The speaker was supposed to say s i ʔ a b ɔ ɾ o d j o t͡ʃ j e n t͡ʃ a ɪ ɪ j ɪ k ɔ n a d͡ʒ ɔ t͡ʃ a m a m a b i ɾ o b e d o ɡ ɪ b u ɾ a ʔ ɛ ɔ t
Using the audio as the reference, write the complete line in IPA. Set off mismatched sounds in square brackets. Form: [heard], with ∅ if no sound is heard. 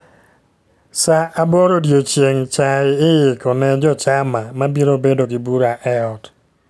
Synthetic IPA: s [a] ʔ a b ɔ ɾ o d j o t͡ʃ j e [ŋ] t͡ʃ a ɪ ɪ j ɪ k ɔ n [ɛ] d͡ʒ ɔ t͡ʃ a m a m a b i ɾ o b e d o ɡ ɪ b u ɾ a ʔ ɛ ɔ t